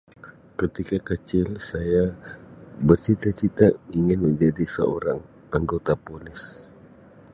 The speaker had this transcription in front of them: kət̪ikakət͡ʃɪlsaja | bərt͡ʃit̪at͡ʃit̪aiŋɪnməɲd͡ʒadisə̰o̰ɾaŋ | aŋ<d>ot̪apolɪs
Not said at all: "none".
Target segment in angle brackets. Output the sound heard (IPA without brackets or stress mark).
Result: ɡ